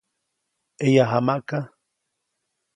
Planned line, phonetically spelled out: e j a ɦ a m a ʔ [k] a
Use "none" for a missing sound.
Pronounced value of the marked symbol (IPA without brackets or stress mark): k